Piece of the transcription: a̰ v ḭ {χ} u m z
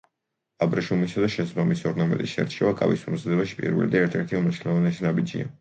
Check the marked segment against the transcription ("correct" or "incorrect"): incorrect